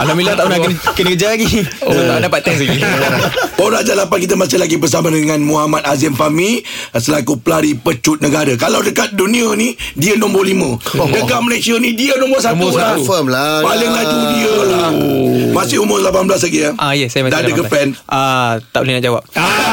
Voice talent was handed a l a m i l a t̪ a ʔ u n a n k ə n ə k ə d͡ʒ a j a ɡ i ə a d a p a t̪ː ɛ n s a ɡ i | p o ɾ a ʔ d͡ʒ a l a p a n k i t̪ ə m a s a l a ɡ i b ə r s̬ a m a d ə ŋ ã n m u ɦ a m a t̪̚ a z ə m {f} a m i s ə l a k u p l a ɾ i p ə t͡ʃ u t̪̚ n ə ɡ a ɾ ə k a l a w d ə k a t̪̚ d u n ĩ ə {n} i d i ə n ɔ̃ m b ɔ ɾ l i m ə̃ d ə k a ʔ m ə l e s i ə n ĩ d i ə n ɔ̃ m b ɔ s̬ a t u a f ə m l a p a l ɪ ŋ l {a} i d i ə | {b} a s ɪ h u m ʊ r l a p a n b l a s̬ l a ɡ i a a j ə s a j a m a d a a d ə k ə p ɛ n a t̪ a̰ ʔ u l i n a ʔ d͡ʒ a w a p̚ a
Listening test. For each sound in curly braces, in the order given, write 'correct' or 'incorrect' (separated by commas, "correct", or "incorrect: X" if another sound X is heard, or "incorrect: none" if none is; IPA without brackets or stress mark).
correct, correct, correct, incorrect: m